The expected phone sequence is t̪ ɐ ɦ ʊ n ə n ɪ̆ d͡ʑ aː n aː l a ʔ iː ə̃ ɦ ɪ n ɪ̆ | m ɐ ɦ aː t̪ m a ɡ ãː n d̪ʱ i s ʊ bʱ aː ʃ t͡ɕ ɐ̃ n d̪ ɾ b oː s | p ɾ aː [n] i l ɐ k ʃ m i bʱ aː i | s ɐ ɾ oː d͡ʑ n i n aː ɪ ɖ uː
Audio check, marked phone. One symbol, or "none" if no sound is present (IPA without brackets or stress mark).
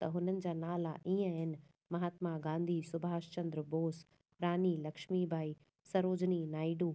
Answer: n